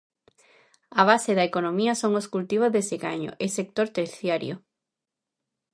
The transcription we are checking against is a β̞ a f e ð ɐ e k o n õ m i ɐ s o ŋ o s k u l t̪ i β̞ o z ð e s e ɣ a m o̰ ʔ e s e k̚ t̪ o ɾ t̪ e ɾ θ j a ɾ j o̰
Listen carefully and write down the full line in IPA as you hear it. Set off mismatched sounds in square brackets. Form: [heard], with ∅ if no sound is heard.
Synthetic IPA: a β̞ a [s] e ð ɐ e k o n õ m i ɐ s o ŋ o s k u l t̪ i β̞ o z ð e s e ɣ a [ɲ] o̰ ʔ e s e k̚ t̪ o ɾ t̪ e ɾ θ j a ɾ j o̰